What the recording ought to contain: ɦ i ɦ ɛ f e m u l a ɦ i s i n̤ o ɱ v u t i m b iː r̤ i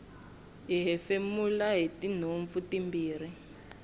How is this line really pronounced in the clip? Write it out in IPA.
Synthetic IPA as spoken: ɦ i ɦ ɛ f e m u l a ɦ i t i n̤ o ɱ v u t i m b iː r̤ i

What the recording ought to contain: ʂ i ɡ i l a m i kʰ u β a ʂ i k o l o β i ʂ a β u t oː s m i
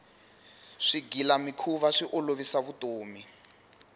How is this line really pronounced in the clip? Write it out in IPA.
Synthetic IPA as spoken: ʂ i ɡ i l a m i kʰ u β a ʂ i ʔ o l o β i s a β u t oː m i

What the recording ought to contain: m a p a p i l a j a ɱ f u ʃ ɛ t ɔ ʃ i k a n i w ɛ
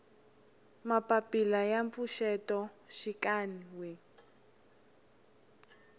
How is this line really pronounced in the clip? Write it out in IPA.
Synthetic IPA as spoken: m a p a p i l a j a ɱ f u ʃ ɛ t ɔ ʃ i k a n i w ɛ

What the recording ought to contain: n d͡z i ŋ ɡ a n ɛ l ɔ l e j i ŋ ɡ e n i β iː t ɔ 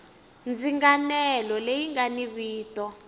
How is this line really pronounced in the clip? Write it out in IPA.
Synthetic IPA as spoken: n d͡z i ŋ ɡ a n ɛ l ɔ l e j i ŋ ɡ a n i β iː t ɔ

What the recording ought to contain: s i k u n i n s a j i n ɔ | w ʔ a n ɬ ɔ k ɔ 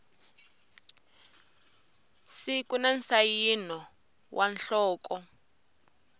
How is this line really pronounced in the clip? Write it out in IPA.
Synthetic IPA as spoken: s i k u n a n s a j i n ɔ | w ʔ a n ɬ ɔː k ɔ

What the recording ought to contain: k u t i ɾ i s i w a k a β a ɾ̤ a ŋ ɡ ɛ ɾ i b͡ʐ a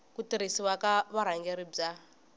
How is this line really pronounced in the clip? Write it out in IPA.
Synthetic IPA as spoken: k u t i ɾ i s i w a k a β a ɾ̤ a ŋ ɡ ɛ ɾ i b͡ʐ a

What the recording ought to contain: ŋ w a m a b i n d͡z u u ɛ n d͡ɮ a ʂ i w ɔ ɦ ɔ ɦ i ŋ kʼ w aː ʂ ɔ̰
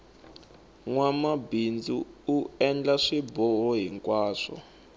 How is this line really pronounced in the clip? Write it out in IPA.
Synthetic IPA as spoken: ŋ w a m a b i n d͡z u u ɛ n d͡ɮ a ʂ i b ɔ ɦ ɔ ɦ i ŋ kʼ w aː ʂ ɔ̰

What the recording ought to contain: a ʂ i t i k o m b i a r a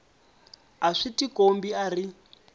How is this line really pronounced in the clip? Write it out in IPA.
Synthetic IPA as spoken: a ʂ i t i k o m b i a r i

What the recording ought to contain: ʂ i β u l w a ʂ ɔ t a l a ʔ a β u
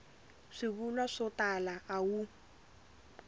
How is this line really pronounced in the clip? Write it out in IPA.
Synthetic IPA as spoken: ʂ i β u l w a ʂ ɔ t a l a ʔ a w u

